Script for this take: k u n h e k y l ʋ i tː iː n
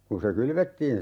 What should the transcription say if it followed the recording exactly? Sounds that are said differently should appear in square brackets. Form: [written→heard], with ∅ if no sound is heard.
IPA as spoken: k u n [h→s] e k y l ʋ [i→e] tː iː n